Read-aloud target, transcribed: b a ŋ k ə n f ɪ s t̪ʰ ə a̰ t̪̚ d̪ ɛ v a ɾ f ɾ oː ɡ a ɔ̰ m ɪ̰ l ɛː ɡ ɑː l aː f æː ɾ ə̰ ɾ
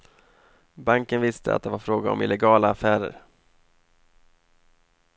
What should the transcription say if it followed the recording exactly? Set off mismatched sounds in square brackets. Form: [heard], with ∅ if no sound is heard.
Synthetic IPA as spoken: b a ŋ k ə n [v] ɪ s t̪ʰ ə a̰ t̪̚ d̪ ɛ v a ɾ f ɾ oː ɡ a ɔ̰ m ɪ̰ l [ɛ] ɡ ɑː l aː f æː ɾ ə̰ ɾ